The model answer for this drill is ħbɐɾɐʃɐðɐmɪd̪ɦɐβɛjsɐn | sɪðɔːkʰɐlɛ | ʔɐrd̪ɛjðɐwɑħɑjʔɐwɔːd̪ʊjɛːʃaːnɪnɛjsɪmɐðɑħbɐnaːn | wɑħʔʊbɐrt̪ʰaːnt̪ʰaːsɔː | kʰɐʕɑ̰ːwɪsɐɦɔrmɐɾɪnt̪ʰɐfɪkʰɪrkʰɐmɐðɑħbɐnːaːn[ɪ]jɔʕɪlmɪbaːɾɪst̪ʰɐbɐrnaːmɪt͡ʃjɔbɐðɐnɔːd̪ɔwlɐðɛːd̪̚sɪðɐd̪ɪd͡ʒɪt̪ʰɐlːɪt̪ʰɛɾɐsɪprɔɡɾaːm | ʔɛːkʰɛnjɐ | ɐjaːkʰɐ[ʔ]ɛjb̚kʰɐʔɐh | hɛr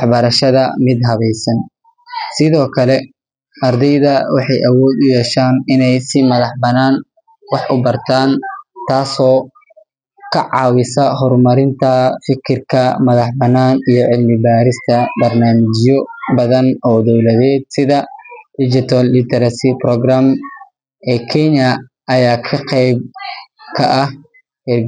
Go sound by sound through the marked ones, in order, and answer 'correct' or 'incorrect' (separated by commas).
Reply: incorrect, incorrect